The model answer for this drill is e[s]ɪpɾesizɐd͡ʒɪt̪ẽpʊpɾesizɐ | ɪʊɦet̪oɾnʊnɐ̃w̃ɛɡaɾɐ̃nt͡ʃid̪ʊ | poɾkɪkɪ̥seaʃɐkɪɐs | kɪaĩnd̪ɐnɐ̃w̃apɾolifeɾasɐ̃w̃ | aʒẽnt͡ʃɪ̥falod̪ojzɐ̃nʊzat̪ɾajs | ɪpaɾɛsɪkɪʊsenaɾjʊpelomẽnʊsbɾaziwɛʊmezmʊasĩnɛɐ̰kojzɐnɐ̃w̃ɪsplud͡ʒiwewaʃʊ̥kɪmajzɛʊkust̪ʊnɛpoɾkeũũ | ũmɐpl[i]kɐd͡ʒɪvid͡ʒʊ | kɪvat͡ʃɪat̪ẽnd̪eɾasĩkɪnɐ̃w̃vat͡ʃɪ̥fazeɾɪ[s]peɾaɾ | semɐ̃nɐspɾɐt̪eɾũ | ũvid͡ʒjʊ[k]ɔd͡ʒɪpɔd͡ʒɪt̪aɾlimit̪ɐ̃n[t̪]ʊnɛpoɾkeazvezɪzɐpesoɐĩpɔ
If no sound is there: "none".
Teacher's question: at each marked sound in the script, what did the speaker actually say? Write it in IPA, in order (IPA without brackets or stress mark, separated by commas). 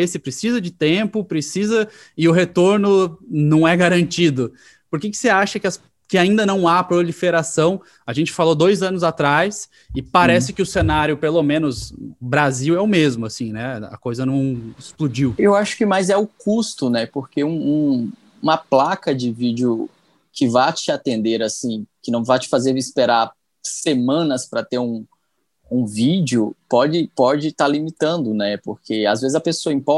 s, a, s, p, d̪